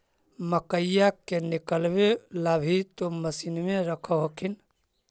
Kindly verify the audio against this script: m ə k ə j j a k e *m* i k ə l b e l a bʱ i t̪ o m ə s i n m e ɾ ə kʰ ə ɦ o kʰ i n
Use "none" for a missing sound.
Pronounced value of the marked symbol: n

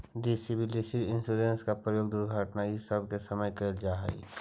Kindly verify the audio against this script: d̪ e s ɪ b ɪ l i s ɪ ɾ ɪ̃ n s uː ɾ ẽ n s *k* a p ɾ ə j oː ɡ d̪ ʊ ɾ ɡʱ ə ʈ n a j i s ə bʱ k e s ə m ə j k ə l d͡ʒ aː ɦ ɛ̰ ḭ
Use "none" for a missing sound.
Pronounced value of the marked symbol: k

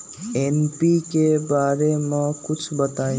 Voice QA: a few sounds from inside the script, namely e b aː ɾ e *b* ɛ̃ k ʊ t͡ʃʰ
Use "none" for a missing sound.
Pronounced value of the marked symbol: m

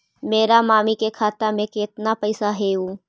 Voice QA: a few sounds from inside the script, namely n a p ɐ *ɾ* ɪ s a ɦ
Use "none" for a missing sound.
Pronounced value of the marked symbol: none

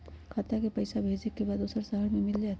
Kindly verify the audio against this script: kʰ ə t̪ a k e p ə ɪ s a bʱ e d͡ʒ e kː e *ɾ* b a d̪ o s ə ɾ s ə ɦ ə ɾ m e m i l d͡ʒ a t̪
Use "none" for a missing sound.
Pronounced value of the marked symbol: none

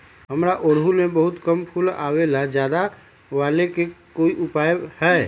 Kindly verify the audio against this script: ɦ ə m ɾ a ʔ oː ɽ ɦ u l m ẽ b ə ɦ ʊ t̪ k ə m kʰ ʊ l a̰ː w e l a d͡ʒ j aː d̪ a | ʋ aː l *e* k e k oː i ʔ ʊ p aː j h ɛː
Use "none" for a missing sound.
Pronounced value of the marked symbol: e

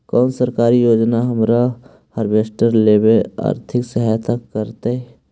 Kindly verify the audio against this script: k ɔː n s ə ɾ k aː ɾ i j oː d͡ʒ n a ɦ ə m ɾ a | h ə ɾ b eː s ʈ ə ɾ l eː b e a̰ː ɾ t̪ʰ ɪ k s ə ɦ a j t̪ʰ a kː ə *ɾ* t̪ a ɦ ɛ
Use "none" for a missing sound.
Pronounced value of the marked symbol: ɾ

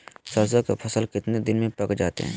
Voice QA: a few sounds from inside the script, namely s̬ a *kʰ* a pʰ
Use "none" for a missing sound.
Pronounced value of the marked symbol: k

